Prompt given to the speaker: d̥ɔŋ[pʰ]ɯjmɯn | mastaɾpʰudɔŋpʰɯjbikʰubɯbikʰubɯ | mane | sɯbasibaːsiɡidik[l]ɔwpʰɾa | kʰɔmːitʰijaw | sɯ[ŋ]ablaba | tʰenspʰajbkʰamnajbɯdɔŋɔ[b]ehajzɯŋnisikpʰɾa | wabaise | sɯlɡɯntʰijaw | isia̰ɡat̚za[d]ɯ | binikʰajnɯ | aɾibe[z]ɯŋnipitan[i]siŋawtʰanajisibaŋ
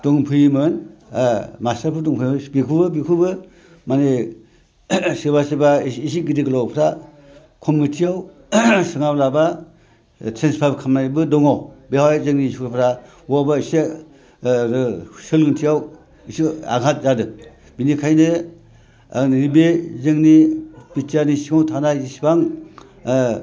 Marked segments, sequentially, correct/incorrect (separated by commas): correct, correct, correct, correct, correct, correct, correct